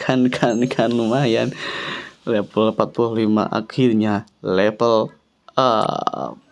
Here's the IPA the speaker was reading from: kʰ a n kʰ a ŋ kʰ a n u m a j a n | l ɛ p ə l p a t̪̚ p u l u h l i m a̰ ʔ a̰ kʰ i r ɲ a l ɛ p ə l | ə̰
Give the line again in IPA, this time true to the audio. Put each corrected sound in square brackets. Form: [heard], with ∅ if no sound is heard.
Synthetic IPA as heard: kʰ a n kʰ a [n] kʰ a n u m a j a n | l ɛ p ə l p a t̪̚ p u l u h l i m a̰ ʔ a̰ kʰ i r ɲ a l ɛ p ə l | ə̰